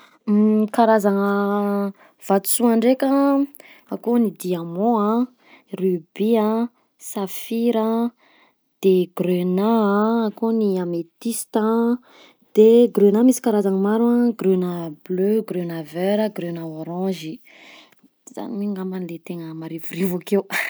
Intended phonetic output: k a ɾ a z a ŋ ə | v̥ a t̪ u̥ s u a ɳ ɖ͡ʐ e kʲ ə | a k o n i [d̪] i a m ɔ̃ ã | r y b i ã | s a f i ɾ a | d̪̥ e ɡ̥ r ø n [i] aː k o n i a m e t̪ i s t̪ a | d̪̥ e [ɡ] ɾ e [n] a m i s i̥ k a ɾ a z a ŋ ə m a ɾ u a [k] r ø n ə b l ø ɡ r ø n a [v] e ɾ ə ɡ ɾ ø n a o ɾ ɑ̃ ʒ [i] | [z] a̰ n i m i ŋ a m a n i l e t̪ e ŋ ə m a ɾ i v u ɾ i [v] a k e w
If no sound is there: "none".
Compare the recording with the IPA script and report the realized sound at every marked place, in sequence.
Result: d̪, a, ɡ, n, ɡ, v, i, z, v

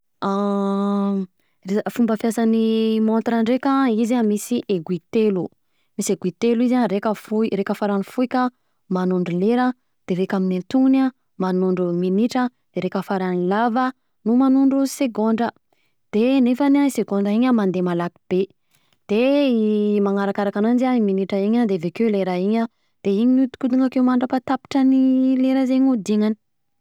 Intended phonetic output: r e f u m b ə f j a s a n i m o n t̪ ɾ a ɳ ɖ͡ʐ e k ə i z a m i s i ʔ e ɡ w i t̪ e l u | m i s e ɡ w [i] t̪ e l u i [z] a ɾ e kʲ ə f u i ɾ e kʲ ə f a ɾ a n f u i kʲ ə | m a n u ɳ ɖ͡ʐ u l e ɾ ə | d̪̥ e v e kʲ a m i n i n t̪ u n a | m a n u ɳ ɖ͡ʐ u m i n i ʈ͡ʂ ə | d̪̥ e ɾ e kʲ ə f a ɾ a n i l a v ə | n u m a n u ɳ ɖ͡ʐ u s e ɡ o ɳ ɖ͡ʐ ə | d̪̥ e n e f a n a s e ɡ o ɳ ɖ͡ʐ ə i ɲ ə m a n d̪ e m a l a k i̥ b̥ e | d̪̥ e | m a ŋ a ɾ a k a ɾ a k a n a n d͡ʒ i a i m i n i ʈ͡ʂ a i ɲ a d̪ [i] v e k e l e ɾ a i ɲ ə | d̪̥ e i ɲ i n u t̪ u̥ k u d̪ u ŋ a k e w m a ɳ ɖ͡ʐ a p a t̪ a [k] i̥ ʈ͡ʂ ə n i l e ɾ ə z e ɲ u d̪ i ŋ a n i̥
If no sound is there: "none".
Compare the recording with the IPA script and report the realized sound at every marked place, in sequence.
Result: i, z, e, p

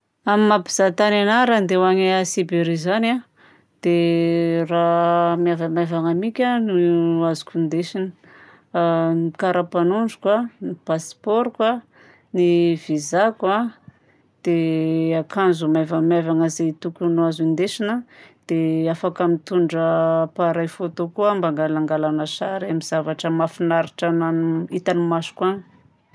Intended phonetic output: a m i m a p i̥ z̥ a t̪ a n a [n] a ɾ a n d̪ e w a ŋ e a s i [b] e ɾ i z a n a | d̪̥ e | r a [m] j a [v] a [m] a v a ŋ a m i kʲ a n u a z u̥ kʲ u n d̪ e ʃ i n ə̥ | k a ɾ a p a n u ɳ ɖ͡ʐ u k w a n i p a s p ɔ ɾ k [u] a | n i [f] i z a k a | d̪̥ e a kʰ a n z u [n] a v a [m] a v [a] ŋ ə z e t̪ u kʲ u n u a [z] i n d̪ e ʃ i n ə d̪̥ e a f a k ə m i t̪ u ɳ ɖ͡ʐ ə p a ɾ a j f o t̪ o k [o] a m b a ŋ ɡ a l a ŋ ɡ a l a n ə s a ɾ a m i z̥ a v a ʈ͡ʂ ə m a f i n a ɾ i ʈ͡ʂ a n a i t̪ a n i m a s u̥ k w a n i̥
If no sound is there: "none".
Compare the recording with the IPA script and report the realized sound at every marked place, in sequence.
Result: n, b, m, v, m, w, v, m, m, a, z, u

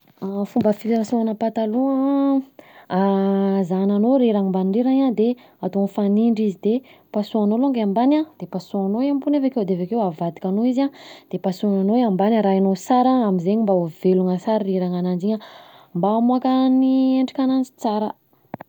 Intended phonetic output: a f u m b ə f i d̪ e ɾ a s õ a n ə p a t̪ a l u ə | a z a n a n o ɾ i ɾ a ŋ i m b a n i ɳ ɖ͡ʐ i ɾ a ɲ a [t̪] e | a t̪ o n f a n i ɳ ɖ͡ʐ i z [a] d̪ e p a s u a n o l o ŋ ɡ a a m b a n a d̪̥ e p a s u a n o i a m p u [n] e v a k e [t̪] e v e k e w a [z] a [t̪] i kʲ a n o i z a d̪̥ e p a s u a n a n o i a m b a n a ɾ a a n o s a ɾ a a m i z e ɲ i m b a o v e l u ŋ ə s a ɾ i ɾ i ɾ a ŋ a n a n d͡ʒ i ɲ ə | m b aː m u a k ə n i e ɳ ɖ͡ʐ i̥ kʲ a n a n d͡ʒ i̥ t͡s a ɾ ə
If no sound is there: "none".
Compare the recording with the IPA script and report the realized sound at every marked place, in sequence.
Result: d̪, i, n, d̪, v, d̪

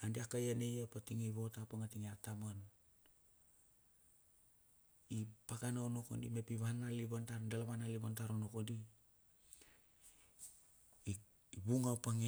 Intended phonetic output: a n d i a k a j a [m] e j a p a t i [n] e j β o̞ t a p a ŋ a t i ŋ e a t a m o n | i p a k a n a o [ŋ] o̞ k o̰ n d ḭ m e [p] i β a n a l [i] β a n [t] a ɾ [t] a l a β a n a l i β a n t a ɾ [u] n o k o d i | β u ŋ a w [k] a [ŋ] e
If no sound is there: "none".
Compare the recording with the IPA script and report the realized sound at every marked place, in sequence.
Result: n, ŋ, n, p, i, t, d, o, p, ŋ

